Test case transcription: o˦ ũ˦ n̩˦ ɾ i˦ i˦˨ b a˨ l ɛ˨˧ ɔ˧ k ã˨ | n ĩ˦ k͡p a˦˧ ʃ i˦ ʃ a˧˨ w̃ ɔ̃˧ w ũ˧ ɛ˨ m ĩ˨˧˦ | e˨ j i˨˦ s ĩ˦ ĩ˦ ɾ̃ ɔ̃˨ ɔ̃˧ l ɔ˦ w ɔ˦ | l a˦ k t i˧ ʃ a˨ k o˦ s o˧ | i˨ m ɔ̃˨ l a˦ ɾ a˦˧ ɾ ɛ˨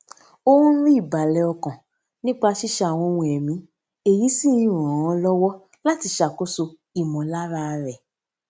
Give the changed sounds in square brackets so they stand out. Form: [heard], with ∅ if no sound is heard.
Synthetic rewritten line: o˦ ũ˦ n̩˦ ɾ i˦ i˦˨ b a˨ l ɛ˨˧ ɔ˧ k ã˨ | n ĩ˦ k͡p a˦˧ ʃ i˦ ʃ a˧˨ w̃ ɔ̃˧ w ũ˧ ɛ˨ m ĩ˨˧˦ | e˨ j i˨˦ s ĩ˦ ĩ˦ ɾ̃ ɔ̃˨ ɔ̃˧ l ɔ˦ w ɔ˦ | l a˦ [∅] t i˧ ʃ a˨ k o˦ s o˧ | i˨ m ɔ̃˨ l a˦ ɾ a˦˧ ɾ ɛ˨